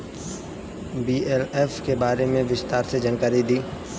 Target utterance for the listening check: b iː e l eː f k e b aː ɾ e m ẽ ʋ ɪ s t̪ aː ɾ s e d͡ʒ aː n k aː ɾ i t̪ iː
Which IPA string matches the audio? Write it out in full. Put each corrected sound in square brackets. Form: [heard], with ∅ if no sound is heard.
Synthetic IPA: b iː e l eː f k e b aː ɾ e m ẽ ʋ ɪ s t̪ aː ɾ s e d͡ʒ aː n k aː ɾ i [d̪] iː